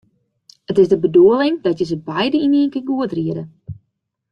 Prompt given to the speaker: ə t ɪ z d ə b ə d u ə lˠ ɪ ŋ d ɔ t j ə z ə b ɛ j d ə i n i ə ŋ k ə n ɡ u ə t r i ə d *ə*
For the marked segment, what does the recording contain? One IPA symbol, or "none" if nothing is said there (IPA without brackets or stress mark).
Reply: ə